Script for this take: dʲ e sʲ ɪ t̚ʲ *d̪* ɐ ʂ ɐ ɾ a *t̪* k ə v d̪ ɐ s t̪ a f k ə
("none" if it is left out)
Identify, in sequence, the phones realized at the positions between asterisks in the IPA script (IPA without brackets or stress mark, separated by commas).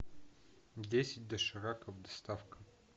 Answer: d̪, none